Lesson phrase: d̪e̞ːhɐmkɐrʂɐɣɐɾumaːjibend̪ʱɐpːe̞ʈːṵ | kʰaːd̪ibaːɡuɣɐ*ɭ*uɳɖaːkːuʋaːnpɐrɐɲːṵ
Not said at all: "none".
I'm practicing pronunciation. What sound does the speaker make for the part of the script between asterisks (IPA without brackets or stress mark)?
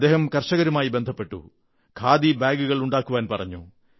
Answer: ɭ